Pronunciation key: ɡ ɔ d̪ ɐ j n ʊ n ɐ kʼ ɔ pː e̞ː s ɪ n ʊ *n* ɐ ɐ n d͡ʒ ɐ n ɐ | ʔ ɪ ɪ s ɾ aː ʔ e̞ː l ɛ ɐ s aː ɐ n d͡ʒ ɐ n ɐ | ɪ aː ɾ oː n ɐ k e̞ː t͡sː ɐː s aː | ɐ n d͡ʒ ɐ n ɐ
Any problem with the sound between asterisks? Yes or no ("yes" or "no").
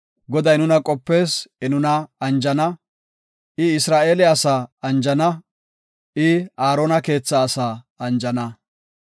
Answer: no